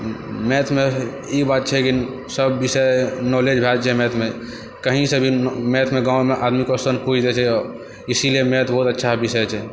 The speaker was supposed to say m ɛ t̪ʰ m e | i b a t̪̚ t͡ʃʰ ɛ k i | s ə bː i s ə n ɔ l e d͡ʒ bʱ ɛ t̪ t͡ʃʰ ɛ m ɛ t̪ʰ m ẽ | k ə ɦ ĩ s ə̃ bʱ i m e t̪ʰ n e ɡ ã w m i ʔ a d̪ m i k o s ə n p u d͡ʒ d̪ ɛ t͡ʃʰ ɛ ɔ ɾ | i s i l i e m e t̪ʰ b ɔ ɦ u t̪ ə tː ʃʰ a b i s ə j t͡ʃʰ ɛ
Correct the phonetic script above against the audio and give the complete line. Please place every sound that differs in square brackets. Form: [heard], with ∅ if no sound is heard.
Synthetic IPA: m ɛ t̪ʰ m e | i b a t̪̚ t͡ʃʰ ɛ k i | s ə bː i s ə n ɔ l e d͡ʒ bʱ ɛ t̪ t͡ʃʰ ɛ m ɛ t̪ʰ m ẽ | k ə ɦ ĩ s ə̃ bʱ i m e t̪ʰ [m] e ɡ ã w m [e] ʔ a d̪ m i k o s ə n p u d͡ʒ d̪ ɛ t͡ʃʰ ɛ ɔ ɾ | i s i l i e m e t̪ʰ b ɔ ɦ u t̪ ə tː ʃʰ a b i s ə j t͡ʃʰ ɛ